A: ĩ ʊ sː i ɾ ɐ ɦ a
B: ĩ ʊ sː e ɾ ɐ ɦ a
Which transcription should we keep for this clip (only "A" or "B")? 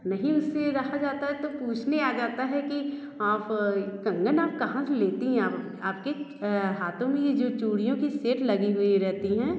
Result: B